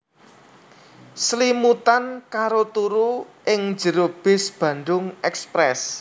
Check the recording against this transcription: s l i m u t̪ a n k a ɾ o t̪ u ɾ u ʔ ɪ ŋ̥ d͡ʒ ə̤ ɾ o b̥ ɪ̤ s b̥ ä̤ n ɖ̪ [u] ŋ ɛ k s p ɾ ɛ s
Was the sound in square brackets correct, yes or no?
no